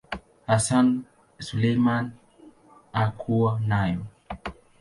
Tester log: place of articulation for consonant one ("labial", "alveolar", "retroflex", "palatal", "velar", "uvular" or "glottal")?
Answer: glottal